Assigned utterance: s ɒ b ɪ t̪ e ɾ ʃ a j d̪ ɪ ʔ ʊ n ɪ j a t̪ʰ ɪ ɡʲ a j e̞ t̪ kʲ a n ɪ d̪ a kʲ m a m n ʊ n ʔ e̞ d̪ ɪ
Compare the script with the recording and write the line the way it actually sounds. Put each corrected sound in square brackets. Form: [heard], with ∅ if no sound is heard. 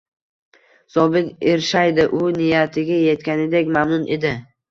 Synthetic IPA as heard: s ɒ b ɪ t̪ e ɾ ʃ a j d̪ ɪ ʔ ʊ n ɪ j a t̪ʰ ɪ ɡʲ a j e̞ t̪ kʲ a n ɪ d̪ [e] kʲ m a m n ʊ n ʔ e̞ d̪ ɪ